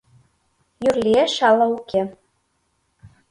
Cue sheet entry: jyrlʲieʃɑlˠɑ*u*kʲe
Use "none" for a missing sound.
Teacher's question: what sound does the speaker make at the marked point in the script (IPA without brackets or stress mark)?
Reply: u